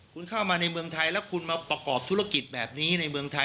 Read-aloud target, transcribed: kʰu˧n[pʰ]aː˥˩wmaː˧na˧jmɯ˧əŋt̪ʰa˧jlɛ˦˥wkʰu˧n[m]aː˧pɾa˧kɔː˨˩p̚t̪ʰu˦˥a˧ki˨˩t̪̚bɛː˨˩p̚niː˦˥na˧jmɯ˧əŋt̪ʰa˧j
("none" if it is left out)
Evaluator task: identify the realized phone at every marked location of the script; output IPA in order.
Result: kʰ, m

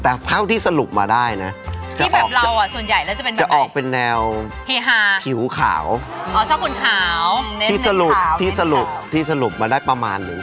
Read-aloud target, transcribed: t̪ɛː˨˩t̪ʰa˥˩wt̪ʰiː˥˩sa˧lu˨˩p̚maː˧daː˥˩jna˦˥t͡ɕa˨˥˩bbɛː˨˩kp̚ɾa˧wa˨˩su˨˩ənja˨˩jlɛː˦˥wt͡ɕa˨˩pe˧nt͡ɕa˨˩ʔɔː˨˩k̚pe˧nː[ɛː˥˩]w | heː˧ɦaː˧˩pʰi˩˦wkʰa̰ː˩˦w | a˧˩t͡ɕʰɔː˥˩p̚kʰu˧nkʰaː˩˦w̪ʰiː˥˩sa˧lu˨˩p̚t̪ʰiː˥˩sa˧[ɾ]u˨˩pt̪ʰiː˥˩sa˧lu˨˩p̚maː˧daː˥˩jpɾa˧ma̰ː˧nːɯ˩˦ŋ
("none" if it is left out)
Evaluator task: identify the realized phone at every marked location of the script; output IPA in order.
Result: ɛː˧, l

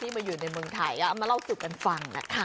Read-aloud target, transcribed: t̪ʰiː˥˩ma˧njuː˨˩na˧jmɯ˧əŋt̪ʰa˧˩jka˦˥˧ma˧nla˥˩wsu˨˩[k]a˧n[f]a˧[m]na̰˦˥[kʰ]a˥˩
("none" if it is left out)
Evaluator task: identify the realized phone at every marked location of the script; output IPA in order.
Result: k, f, ŋ, kʰ

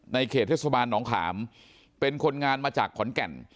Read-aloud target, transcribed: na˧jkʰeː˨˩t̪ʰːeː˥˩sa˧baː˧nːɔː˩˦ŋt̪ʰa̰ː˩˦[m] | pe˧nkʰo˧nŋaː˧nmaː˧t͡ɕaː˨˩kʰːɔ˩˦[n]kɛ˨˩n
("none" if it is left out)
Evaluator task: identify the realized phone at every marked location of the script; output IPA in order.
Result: m, n

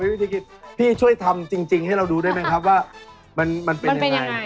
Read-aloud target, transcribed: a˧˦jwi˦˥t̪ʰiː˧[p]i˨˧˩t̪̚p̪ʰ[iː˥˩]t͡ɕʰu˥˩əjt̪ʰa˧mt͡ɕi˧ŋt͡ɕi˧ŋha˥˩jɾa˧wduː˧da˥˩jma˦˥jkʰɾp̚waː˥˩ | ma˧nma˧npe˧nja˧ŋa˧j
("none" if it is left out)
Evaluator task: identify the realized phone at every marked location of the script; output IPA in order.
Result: k, iː˥˩

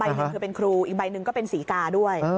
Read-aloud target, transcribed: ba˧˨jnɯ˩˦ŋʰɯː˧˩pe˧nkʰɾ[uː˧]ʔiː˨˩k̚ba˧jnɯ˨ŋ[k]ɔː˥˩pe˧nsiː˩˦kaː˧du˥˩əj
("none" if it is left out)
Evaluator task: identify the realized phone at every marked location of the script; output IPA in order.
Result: uː˧, k

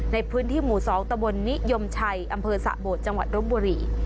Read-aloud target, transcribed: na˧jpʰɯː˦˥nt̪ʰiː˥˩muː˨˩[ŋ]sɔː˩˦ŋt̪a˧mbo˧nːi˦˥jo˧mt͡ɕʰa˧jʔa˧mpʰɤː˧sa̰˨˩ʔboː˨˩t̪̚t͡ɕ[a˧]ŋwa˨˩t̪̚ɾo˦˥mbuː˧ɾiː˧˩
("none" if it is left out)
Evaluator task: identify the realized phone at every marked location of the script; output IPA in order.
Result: none, a˧

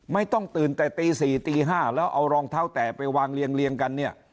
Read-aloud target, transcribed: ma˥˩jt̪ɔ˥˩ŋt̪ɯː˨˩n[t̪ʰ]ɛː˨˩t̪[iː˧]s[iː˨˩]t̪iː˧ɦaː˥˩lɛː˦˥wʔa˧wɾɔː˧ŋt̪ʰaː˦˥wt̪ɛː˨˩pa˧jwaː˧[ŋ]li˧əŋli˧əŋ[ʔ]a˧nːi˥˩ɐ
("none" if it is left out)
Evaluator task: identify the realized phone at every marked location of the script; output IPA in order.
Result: t̪, iː˧, iː˨˩, ŋ, k

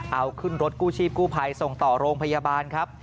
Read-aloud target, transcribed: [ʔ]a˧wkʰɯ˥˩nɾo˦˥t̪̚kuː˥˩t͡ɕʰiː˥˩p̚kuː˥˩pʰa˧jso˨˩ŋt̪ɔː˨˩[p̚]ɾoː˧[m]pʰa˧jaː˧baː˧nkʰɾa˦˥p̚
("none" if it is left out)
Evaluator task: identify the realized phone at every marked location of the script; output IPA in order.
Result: ʔ, none, ŋ

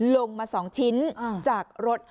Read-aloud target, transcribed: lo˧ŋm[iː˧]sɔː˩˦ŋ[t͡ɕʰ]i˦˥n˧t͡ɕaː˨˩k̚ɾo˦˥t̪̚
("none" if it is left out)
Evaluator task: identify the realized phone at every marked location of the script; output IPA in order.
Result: aː˧, t͡ɕʰ

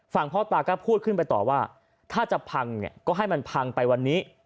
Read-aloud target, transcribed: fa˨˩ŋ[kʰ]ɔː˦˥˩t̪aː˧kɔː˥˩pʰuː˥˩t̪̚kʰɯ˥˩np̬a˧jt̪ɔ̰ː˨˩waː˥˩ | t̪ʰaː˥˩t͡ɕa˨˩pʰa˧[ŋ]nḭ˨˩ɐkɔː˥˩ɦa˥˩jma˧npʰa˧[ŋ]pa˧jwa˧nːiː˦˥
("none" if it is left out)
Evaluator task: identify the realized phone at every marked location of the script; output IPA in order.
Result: pʰ, ŋ, ŋ

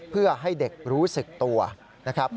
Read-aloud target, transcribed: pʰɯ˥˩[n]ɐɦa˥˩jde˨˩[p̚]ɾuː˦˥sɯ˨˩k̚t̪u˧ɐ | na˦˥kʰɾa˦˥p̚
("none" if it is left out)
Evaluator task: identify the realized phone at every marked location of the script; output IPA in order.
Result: none, k̚

